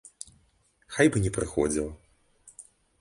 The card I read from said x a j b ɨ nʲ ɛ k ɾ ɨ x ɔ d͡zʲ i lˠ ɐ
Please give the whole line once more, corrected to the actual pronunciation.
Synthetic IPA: x a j b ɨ nʲ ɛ p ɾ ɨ x ɔ d͡zʲ i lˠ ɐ